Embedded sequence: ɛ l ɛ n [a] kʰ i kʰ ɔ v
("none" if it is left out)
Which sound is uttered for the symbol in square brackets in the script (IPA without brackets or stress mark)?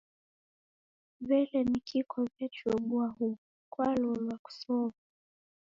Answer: i